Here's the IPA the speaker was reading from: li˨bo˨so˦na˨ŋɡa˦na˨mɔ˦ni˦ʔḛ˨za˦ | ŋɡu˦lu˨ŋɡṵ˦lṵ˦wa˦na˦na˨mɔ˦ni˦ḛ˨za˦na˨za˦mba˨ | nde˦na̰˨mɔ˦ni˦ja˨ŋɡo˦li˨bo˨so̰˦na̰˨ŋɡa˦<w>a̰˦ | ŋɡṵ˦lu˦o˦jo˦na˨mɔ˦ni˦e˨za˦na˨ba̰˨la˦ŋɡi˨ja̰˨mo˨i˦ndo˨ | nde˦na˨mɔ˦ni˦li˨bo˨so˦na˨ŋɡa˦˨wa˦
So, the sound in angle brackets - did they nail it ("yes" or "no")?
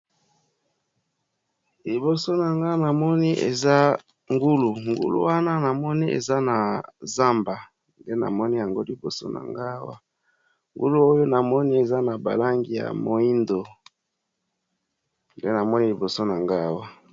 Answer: yes